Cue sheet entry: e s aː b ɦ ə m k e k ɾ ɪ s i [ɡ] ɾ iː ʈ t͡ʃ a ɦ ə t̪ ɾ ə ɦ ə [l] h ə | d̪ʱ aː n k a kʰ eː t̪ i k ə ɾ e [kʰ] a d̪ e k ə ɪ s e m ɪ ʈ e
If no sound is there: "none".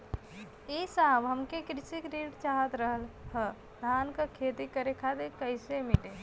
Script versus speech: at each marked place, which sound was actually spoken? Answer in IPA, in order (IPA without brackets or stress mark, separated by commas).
k, l, kʰ